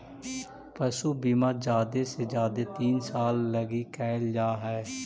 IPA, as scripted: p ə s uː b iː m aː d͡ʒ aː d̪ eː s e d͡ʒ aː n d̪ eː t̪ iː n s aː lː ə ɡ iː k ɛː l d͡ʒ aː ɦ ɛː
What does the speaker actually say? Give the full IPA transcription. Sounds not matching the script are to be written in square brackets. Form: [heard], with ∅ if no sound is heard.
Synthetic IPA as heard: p ə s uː b iː m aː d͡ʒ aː d̪ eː s e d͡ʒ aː [∅] d̪ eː t̪ iː n s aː lː ə ɡ iː k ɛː l d͡ʒ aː ɦ ɛː